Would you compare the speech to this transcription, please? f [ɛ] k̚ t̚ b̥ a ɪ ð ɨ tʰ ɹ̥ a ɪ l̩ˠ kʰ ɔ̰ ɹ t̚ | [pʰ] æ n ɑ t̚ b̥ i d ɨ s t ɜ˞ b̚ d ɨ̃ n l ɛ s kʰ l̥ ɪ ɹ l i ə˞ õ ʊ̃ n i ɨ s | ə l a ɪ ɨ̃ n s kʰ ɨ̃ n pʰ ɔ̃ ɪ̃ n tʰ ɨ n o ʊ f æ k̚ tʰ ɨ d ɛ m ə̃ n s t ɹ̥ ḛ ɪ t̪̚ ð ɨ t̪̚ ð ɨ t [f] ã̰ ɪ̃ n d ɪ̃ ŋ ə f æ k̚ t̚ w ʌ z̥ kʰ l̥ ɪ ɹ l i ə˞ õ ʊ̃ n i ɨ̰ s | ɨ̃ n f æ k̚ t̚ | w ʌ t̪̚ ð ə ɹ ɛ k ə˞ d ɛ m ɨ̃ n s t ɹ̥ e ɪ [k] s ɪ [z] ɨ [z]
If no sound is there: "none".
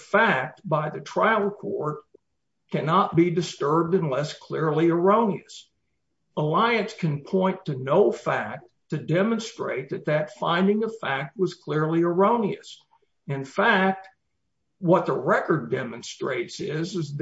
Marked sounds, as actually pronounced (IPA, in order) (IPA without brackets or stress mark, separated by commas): æ, kʰ, f, t, z, z